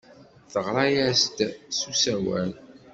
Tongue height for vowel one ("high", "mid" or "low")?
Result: mid